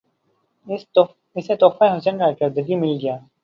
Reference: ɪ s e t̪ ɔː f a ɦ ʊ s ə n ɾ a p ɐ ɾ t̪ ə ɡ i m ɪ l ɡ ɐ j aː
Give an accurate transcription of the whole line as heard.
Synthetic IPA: ɪ s e t̪ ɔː f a ɦ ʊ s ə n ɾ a k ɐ ɾ d̪ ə ɡ i m ɪ l ɡ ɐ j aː